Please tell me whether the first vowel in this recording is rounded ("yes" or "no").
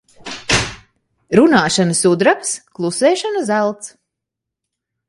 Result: yes